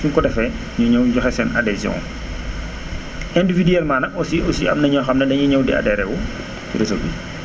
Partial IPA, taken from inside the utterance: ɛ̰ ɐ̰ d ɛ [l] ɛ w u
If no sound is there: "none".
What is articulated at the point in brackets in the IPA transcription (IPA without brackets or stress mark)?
ɾ